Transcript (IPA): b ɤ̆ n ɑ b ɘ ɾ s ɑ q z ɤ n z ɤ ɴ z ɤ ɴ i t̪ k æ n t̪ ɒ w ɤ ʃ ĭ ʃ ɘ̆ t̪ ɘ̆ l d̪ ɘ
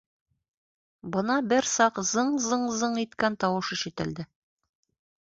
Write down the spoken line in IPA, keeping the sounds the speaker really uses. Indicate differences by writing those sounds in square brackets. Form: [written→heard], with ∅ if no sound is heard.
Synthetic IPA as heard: b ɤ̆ n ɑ b ɘ ɾ s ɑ q z ɤ [n→ɴ] z ɤ ɴ z ɤ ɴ i t̪ k æ n t̪ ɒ w ɤ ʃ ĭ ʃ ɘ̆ t̪ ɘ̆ l d̪ ɘ